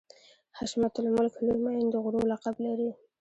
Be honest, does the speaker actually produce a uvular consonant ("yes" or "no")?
yes